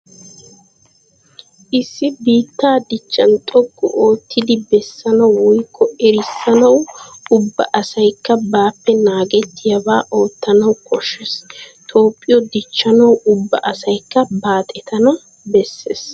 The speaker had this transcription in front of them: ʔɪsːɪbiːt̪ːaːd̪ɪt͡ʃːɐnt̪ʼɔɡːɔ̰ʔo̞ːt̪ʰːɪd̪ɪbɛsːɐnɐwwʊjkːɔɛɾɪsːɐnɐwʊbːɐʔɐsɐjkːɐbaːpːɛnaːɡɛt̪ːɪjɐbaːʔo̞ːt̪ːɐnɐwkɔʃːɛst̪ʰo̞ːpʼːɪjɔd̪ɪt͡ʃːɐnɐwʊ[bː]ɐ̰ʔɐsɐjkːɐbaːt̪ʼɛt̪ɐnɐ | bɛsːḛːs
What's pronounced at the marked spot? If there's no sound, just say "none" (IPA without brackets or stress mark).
bː